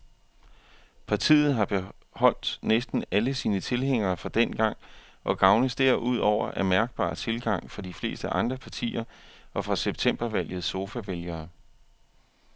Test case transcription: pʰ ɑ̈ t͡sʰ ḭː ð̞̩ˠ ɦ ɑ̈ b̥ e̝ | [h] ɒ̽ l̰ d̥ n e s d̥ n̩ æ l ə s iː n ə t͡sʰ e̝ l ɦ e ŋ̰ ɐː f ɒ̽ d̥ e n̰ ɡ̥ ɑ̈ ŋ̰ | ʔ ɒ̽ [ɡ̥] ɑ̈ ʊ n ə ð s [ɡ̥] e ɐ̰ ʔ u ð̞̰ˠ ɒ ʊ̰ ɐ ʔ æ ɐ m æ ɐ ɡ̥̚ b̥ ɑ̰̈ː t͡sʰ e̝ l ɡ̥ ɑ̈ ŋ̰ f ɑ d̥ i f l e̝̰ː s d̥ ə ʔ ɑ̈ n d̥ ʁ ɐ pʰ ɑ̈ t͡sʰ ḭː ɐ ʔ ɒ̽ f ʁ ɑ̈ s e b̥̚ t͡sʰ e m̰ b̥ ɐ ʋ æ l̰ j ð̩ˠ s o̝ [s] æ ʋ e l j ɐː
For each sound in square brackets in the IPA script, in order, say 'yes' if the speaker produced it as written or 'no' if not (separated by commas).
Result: yes, yes, no, no